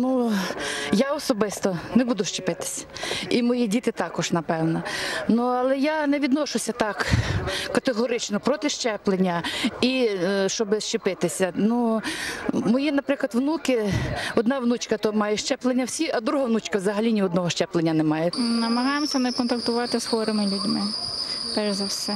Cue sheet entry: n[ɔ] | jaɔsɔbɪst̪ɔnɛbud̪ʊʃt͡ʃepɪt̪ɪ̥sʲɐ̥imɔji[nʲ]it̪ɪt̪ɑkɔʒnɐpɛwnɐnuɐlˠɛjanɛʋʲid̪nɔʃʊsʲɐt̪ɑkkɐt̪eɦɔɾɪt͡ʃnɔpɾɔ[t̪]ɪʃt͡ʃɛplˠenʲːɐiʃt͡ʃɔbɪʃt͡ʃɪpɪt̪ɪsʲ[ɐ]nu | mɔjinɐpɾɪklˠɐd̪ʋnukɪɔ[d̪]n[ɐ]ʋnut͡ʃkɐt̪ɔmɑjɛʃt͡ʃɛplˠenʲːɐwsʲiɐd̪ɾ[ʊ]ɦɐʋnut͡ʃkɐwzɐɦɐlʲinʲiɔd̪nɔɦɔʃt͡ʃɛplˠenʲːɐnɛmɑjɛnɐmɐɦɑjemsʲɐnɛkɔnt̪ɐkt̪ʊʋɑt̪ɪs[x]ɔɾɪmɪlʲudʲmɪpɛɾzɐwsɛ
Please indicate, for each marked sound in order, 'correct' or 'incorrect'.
incorrect, incorrect, correct, correct, correct, incorrect, incorrect, correct

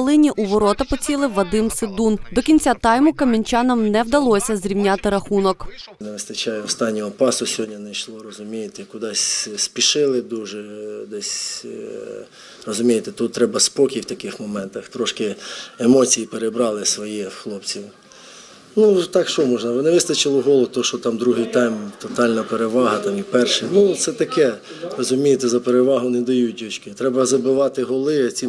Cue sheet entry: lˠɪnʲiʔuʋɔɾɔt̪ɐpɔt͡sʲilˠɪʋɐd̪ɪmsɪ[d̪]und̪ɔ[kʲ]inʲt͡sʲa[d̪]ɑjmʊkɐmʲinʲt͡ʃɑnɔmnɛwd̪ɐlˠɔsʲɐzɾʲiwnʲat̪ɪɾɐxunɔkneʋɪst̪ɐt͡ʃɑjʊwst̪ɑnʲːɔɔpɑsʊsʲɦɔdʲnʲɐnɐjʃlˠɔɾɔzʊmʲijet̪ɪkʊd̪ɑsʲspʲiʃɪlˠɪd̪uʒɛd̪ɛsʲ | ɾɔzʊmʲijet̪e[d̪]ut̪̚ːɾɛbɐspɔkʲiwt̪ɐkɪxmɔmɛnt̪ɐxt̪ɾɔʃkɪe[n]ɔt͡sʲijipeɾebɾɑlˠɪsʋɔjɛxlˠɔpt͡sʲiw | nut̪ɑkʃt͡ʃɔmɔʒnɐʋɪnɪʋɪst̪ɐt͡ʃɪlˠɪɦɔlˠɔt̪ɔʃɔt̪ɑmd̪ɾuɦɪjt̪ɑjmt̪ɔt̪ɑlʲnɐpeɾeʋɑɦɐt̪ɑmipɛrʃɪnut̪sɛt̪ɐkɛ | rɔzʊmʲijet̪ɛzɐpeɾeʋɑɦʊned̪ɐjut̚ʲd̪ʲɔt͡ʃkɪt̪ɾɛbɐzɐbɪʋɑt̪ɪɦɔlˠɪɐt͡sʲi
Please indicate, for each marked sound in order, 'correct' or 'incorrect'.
correct, correct, incorrect, incorrect, incorrect

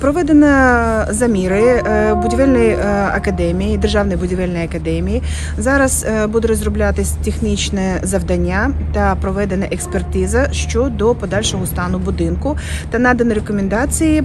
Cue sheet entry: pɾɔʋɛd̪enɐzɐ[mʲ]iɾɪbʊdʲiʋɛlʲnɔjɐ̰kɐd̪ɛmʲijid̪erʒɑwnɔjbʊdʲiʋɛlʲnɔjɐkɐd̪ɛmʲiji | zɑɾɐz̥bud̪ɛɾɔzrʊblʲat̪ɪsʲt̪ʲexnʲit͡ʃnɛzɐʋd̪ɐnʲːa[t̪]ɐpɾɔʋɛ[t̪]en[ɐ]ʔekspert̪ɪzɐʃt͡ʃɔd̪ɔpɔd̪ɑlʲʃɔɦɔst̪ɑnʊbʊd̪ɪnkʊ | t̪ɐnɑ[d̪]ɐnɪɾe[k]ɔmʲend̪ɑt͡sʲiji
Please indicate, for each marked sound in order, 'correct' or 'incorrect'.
correct, correct, incorrect, correct, correct, correct

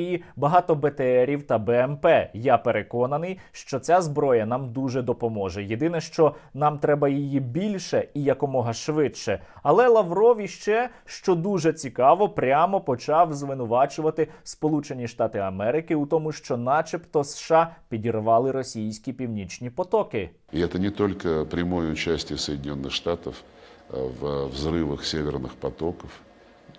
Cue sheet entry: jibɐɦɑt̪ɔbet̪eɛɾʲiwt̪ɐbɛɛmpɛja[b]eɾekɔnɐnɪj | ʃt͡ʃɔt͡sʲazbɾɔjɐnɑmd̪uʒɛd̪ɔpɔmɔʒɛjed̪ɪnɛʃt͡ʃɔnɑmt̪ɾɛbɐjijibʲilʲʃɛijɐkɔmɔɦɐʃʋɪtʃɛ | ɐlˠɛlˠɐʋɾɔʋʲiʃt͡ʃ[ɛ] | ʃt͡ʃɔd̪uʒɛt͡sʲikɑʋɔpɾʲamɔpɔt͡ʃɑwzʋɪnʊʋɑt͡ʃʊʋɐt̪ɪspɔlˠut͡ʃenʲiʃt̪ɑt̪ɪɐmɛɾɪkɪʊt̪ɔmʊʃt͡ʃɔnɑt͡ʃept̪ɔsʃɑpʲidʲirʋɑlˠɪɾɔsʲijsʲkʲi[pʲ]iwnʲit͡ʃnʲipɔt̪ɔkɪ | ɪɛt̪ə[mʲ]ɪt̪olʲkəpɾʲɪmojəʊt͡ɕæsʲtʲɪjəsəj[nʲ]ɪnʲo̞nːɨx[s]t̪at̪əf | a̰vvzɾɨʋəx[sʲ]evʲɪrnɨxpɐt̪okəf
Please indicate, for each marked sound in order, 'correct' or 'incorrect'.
incorrect, correct, correct, incorrect, incorrect, incorrect, correct

